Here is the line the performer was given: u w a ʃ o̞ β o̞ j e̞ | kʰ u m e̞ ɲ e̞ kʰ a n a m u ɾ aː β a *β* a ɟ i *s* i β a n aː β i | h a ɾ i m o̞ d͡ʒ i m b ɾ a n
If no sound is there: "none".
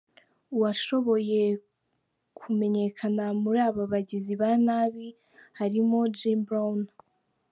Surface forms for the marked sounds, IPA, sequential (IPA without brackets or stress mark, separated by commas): β, z